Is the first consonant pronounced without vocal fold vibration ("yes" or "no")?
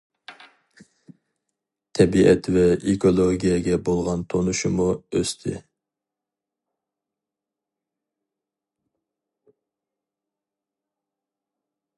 yes